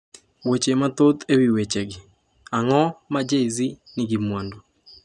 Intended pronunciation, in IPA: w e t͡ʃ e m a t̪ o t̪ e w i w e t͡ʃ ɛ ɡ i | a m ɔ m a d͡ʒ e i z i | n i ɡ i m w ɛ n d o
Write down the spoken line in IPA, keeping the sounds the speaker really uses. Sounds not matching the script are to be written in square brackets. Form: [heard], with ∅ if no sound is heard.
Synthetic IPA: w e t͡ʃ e m a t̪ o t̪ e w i w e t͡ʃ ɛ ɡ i | a [ŋ] ɔ m a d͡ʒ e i z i | n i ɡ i m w [a] n d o

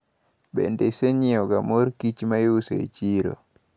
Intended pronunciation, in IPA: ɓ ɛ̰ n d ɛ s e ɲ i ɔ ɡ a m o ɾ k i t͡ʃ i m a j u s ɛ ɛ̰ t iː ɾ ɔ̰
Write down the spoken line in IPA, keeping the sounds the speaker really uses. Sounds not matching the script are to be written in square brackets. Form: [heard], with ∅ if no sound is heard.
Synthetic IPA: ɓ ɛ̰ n d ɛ s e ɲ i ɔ ɡ a m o ɾ k i t͡ʃ i m a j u s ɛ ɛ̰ [t͡ʃ] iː ɾ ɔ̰

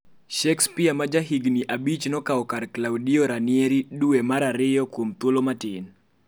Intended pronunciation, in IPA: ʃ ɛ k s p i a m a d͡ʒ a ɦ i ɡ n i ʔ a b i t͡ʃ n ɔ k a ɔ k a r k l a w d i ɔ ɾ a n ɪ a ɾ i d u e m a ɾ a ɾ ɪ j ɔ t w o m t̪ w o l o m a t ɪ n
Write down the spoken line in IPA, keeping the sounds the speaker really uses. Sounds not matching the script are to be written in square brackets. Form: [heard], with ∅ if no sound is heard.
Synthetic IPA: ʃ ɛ k s p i a m a d͡ʒ a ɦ i ɡ n i ʔ a b i t͡ʃ n ɔ k a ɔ k a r k l a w d i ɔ ɾ a n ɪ [e] ɾ i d u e m a ɾ a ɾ ɪ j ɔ [k] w o m t̪ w o l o m a t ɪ n

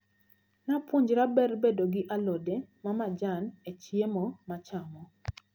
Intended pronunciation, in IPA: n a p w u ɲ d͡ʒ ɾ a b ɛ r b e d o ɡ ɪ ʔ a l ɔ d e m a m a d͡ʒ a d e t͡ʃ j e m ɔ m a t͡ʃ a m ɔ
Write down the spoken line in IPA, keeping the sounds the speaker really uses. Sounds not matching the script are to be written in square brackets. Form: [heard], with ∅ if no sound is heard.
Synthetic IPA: n a p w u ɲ d͡ʒ ɾ a b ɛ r b e d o ɡ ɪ ʔ a l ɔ d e m a m a d͡ʒ a [n] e t͡ʃ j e m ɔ m a t͡ʃ a m ɔ

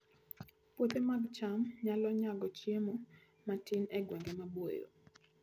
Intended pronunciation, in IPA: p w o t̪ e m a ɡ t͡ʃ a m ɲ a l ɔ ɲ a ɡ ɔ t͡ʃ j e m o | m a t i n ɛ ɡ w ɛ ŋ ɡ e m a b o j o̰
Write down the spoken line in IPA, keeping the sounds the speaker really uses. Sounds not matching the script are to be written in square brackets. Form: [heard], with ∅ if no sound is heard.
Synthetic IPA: p w o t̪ e m a ɡ t͡ʃ a m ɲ a l ɔ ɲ a ɡ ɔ t͡ʃ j e m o | m a t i n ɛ ɡ w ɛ ŋ ɡ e m a b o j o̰

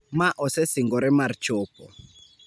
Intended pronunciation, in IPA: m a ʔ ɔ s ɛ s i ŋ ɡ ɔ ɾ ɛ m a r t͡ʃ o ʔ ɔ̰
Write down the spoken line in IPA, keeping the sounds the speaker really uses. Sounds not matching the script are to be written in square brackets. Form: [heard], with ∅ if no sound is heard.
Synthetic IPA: m a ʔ ɔ s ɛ s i ŋ ɡ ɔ ɾ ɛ m a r t͡ʃ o [p] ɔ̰

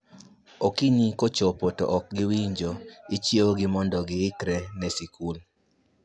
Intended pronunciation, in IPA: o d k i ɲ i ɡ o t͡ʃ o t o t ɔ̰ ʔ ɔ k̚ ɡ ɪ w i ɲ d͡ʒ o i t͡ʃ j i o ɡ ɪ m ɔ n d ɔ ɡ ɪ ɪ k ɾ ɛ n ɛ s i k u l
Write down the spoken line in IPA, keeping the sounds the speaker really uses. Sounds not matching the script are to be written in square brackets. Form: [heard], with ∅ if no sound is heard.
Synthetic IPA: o [∅] k i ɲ i [k] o t͡ʃ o [p] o t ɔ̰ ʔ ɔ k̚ ɡ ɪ w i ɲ d͡ʒ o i t͡ʃ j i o ɡ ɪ m ɔ n d ɔ ɡ ɪ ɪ k ɾ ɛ n ɛ s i k u l

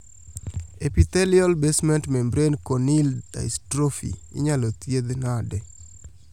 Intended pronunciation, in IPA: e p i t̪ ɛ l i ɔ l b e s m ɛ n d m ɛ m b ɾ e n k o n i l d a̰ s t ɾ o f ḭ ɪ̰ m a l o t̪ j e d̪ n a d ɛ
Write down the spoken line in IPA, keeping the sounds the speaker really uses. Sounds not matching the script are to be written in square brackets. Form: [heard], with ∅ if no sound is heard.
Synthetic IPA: e p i t̪ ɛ l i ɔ l b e s m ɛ n [t] m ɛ m b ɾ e n k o n i l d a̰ s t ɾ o f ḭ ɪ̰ [ɲ] a l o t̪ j e d̪ n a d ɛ

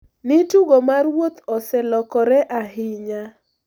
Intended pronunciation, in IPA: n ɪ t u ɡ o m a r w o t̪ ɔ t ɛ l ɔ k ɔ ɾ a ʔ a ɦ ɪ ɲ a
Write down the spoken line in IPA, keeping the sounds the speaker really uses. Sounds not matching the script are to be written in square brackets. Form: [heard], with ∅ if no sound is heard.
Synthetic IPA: n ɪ t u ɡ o m a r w o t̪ ɔ [s] ɛ l ɔ k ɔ ɾ [ɛ] ʔ a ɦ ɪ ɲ a

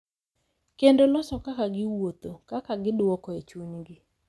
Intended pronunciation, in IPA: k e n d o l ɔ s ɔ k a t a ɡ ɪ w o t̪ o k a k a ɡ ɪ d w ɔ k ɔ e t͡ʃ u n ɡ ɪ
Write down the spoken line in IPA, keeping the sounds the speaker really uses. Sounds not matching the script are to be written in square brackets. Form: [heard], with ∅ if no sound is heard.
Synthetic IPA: k e n d o l ɔ s ɔ k a [k] a ɡ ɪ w o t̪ o k a k a ɡ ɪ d w ɔ k ɔ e t͡ʃ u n ɡ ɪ

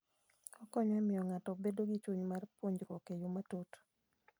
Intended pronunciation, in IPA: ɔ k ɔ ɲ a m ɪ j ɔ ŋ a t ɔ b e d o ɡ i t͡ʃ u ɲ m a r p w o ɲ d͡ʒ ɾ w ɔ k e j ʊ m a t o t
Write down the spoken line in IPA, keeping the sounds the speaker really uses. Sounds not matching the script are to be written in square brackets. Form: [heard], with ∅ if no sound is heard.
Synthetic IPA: ɔ k ɔ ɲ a m ɪ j ɔ ŋ a t ɔ b e d o ɡ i t͡ʃ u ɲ m a r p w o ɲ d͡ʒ ɾ w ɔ k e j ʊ m a t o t

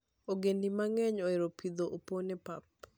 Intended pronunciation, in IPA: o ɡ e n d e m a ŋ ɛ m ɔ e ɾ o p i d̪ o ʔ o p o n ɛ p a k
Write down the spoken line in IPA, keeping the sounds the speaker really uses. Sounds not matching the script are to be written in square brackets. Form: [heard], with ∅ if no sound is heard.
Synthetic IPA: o ɡ e n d [i] m a ŋ ɛ [ɲ] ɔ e ɾ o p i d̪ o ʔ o p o n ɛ p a [p]

